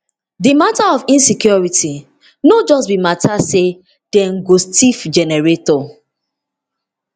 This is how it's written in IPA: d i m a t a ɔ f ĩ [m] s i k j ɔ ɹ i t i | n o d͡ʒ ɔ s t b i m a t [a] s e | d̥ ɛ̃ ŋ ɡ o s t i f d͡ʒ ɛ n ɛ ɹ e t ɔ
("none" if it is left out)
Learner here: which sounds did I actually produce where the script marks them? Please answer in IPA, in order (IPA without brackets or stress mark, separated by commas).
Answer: n, a